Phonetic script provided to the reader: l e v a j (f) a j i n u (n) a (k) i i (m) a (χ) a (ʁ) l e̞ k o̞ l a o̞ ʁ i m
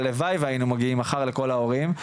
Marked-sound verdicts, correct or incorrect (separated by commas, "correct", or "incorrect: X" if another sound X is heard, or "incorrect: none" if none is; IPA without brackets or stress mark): incorrect: v, incorrect: m, incorrect: ɡ, correct, correct, correct